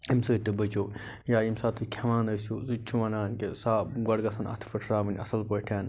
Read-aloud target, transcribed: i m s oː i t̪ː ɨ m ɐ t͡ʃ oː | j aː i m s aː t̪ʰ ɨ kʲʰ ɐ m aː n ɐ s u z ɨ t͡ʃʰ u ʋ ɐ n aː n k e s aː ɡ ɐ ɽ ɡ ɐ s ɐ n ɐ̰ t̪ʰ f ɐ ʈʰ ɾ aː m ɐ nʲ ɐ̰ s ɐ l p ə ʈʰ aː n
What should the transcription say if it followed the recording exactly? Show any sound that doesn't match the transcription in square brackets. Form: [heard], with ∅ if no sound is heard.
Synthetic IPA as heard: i m s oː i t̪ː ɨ [b] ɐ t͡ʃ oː | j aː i m s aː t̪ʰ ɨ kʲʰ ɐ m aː n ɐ s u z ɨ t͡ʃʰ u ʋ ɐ n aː n k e s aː ɡ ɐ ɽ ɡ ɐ s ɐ n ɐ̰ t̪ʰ f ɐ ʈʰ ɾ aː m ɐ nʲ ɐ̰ s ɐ l p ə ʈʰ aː n

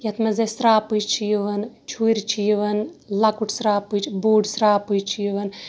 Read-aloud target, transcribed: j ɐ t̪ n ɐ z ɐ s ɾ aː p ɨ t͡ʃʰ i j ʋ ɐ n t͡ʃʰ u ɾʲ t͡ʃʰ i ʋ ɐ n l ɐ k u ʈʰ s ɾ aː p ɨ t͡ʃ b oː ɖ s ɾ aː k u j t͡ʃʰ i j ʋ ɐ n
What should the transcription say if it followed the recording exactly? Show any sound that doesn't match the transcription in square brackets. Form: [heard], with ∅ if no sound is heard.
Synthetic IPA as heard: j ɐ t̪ [m] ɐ z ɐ s ɾ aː p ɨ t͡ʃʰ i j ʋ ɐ n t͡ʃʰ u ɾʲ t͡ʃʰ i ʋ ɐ n l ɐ k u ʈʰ s ɾ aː p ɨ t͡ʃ b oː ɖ s ɾ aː [p] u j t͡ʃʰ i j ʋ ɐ n

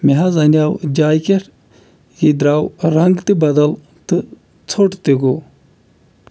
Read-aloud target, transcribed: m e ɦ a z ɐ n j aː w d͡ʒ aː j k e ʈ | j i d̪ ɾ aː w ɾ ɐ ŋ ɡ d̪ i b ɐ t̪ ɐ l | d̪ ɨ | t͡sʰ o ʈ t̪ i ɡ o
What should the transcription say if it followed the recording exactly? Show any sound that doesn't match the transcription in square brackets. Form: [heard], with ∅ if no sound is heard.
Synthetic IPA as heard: m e ɦ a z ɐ n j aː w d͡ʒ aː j k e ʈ | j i d̪ ɾ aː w ɾ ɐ ŋ ɡ [t̪] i b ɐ [d̪] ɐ l | [t̪] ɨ | t͡sʰ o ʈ t̪ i ɡ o

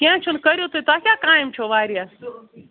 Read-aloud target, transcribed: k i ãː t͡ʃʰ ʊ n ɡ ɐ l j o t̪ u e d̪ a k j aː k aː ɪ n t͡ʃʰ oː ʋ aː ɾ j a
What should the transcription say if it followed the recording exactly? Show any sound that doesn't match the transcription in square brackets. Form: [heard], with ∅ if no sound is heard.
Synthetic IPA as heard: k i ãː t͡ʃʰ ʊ n [k] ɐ [ɾ] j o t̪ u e [t̪] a k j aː k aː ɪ [m] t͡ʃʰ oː ʋ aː ɾ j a

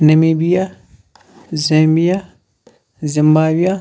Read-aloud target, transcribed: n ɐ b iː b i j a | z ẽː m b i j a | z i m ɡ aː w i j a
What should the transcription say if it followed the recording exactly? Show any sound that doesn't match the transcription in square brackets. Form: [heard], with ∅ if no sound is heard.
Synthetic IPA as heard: n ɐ [m] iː b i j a | z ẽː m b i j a | z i m [b] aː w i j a

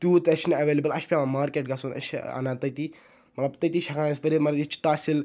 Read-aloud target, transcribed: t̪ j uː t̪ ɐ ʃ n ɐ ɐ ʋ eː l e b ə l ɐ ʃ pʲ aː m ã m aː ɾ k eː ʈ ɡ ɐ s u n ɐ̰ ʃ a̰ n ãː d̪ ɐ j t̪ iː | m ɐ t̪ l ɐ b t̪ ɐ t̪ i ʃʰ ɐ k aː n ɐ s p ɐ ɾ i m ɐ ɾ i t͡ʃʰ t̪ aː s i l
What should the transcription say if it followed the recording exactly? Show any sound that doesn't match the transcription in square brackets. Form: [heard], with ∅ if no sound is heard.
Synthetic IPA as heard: t̪ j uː t̪ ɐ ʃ n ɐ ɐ ʋ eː l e b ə l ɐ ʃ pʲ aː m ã m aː ɾ k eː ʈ ɡ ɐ s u n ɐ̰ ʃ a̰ n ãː [t̪] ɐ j t̪ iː | m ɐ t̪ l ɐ b t̪ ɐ t̪ i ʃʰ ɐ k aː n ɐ s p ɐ ɾ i m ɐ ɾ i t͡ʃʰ t̪ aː s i l

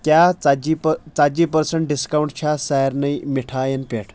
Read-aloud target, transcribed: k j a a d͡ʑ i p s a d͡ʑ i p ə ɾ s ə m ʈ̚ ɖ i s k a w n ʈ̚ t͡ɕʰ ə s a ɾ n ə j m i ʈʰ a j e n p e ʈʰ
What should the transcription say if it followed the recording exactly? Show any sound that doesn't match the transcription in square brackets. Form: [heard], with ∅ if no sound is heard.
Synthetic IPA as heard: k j a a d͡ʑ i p [t͡s] a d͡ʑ i p ə ɾ s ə [ɳ] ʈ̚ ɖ i s k a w [ɳ] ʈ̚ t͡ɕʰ [a] s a ɾ n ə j m i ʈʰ a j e n p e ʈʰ

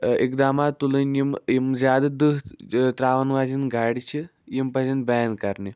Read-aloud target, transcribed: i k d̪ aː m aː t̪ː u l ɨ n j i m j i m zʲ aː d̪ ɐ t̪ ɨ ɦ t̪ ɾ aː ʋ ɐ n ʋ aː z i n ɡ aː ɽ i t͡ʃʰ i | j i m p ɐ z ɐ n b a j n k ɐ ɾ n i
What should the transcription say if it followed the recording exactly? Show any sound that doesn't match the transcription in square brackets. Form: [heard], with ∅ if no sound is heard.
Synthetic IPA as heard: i k d̪ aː m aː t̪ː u l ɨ n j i m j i m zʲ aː d̪ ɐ [d̪] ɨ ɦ t̪ ɾ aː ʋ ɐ n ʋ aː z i n ɡ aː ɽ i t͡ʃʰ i | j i m p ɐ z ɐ n b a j n k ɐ ɾ n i

